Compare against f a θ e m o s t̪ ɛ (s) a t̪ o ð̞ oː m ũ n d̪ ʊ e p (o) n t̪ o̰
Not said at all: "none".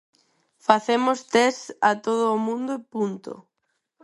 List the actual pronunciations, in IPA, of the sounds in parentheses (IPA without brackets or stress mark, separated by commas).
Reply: s, u